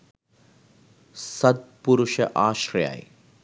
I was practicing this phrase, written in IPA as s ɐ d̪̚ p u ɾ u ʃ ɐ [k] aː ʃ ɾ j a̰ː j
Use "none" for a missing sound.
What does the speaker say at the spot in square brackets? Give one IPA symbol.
ʔ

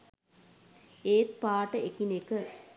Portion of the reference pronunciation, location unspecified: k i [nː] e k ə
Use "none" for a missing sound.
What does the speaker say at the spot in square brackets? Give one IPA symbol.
n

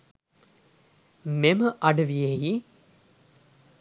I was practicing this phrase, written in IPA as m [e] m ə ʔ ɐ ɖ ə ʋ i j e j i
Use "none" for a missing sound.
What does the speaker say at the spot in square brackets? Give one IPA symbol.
e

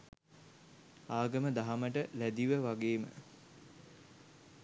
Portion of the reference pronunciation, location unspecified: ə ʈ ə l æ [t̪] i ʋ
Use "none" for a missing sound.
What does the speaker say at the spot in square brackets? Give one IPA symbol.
d̪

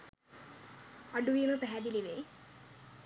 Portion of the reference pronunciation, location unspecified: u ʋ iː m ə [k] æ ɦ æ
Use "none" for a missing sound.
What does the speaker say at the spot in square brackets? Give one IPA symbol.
p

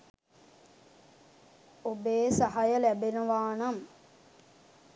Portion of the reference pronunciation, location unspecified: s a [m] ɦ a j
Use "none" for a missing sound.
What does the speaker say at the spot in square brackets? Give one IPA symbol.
none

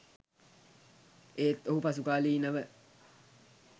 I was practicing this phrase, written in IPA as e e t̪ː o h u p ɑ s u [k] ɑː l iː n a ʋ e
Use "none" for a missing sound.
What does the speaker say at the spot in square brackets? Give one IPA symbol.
k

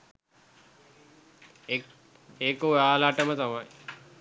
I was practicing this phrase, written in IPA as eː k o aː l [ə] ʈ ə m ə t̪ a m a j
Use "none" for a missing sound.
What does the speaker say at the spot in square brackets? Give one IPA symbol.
a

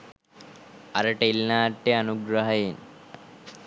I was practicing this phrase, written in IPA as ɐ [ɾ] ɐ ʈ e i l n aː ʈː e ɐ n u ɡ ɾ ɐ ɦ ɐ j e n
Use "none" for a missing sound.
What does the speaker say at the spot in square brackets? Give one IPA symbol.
ɾ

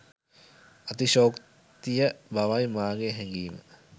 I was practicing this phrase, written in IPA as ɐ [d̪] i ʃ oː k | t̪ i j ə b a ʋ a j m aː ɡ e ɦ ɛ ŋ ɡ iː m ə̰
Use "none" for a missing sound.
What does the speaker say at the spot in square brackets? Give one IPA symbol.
t̪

